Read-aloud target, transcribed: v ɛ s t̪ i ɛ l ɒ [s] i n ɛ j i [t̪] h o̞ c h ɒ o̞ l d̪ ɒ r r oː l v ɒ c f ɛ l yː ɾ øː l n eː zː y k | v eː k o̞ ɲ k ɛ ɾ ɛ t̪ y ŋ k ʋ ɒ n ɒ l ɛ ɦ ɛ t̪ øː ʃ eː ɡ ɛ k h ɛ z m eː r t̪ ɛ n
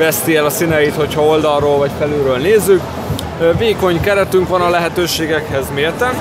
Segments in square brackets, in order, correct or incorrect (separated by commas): correct, correct